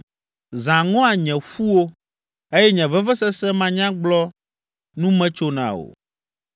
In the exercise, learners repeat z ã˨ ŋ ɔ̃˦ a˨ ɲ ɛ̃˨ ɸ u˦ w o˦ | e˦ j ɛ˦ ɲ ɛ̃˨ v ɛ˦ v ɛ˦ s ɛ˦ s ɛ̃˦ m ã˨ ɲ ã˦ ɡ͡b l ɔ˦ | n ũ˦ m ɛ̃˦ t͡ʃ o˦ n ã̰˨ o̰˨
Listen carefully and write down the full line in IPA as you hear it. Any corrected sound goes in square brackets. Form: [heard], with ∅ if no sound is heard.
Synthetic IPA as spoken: z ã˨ ŋ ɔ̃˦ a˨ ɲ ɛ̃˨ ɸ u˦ w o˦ | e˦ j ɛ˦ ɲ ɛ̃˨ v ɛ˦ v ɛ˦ s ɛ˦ s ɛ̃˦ m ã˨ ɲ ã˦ ɡ͡b l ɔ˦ | n ũ˦ m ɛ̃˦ t͡ʃ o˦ n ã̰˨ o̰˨